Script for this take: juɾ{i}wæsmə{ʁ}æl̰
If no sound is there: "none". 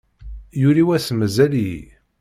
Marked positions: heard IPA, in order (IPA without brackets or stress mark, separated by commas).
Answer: i, z